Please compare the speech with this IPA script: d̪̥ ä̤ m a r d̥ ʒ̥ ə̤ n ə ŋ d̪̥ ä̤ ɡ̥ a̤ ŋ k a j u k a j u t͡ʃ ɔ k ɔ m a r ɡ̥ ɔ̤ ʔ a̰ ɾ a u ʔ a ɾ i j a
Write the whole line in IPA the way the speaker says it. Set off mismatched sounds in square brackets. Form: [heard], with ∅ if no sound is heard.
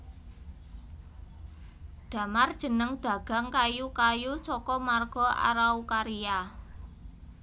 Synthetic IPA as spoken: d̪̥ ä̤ m a r d̥ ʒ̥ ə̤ n ə ŋ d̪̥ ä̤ ɡ̥ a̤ ŋ k a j u k a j u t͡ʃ ɔ k ɔ m a r ɡ̥ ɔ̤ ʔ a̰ ɾ a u [k] a ɾ i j a